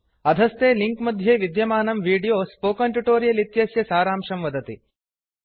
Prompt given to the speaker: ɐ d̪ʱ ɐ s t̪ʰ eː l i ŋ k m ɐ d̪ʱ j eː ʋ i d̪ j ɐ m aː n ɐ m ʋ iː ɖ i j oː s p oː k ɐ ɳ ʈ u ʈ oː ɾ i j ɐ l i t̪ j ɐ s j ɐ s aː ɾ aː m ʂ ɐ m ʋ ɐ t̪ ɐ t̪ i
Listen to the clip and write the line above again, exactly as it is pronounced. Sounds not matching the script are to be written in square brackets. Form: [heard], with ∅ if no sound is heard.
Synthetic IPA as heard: ɐ d̪ʱ ɐ s [t̪] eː l i ŋ k m ɐ d̪ʱ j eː ʋ i d̪ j ɐ m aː n ɐ m ʋ iː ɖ i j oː s p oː k ɐ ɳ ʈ u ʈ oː ɾ i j ɐ l i t̪ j ɐ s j ɐ s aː ɾ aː m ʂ ɐ m ʋ ɐ [d̪] ɐ t̪ i